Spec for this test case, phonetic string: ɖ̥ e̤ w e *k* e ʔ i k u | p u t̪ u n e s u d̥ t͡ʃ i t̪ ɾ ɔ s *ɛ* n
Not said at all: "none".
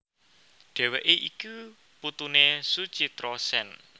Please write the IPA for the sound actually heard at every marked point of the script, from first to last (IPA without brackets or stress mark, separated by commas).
ʔ, ɛ